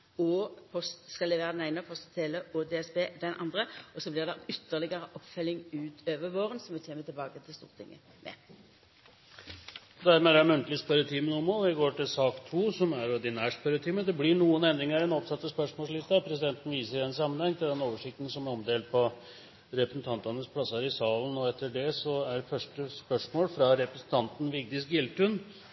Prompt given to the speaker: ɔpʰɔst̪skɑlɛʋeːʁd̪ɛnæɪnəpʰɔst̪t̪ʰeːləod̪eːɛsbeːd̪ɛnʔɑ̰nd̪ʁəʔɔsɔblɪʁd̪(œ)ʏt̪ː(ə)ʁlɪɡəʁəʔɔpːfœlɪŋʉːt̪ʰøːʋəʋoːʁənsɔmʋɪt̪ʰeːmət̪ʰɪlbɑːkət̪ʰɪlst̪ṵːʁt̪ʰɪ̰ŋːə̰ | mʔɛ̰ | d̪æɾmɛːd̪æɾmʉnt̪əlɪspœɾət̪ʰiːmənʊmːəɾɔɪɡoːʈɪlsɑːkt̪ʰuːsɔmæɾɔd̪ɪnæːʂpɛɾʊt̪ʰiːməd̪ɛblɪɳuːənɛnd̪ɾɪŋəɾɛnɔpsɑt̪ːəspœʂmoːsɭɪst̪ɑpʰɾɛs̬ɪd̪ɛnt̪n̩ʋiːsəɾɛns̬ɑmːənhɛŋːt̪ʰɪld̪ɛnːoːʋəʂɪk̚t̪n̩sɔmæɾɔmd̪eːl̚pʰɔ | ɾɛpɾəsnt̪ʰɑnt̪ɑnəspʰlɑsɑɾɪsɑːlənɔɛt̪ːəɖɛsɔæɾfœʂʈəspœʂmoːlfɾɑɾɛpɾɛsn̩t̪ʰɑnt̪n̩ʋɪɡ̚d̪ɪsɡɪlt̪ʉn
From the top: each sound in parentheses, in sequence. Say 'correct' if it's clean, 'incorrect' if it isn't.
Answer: incorrect: ɛ, correct

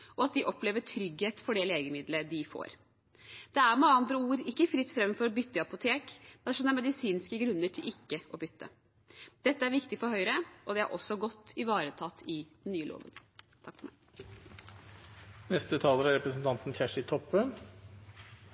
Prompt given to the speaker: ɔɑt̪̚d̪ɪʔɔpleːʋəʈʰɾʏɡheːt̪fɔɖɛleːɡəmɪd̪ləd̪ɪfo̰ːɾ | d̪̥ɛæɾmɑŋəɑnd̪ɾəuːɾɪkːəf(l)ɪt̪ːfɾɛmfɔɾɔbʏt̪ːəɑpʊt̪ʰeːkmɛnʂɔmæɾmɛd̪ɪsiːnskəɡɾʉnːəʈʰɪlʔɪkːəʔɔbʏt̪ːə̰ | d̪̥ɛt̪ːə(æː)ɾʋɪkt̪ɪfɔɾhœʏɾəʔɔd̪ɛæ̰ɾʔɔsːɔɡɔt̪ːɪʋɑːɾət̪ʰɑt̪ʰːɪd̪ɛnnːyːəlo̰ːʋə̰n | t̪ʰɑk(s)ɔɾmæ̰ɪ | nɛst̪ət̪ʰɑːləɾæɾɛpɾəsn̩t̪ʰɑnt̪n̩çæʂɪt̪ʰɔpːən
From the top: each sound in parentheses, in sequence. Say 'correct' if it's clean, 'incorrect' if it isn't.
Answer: incorrect: ɾ, incorrect: æ, incorrect: f

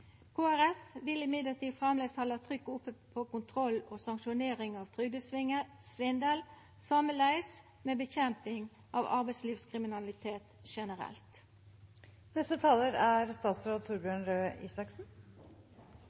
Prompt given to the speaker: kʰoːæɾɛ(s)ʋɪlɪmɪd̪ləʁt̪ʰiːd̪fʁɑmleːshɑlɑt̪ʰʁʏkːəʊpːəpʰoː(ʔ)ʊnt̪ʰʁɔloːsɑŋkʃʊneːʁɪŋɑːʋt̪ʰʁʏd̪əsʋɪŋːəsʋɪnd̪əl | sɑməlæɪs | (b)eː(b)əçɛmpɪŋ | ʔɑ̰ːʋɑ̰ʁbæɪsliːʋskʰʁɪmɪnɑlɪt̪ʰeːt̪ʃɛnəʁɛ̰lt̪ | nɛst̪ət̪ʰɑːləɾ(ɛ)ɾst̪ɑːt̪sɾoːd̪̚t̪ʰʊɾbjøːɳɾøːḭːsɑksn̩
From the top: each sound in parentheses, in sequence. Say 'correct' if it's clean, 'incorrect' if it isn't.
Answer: incorrect: f, incorrect: k, incorrect: m, correct, incorrect: æ

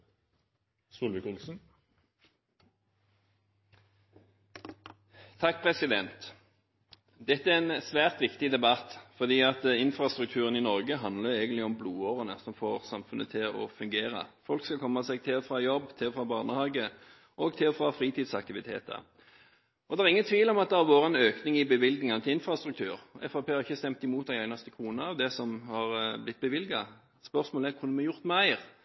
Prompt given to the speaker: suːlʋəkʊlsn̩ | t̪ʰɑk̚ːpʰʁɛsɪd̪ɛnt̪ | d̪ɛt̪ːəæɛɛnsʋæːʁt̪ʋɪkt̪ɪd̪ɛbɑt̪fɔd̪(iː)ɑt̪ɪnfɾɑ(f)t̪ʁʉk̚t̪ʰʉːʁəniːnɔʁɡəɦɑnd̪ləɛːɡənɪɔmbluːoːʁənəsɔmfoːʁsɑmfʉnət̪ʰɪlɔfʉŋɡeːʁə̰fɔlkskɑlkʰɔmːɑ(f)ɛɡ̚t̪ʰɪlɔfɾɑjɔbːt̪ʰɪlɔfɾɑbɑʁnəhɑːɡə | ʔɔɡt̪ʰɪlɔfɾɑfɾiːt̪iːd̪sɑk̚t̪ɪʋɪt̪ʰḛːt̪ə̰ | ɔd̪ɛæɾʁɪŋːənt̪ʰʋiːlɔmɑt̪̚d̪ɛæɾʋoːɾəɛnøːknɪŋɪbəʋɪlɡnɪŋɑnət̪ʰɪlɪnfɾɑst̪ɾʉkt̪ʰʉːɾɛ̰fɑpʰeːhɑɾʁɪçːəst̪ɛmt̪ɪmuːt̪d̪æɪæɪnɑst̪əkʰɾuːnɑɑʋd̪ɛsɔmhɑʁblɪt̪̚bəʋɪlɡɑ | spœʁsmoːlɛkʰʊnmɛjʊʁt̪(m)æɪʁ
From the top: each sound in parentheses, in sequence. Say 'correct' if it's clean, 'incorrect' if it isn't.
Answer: correct, incorrect: s, incorrect: s, correct

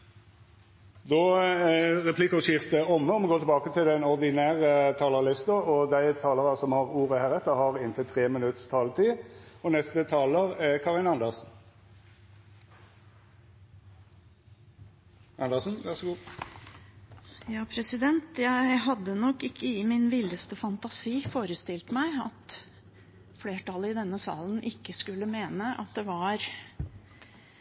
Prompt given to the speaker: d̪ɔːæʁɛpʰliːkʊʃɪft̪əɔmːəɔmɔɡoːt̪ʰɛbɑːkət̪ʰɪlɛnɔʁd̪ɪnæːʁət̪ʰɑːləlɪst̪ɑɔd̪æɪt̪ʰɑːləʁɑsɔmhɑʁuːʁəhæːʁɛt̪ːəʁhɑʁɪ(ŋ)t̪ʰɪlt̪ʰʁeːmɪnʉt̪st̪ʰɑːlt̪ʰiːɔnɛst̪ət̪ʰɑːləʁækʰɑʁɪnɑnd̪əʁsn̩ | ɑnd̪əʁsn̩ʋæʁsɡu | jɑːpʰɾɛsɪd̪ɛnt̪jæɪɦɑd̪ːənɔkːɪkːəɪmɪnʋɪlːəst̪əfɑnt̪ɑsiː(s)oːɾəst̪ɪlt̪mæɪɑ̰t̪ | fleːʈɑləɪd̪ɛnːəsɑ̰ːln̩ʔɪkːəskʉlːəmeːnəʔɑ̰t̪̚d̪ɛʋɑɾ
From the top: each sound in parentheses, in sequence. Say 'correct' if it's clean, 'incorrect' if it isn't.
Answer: incorrect: n, incorrect: f

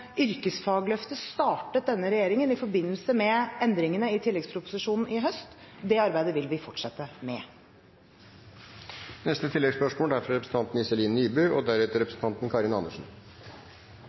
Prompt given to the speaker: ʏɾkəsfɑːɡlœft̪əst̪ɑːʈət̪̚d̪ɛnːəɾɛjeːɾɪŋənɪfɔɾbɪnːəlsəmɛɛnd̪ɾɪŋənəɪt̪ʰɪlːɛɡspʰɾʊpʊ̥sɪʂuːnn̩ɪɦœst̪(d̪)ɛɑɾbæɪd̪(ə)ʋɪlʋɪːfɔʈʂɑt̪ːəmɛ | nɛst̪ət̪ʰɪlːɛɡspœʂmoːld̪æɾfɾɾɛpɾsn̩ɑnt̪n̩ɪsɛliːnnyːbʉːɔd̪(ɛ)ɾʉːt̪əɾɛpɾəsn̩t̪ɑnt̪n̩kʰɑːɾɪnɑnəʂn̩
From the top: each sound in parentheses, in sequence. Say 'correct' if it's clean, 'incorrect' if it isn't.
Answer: correct, correct, incorrect: æ

